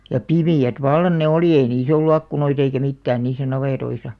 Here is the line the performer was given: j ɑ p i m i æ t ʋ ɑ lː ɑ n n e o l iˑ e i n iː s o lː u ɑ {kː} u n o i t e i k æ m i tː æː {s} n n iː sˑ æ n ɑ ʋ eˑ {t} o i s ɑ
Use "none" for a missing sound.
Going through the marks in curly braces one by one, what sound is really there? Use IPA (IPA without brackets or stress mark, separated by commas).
kː, none, t